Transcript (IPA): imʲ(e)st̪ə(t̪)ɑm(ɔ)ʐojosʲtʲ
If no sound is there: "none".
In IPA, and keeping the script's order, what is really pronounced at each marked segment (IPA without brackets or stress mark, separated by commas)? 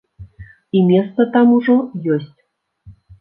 e, t̪, u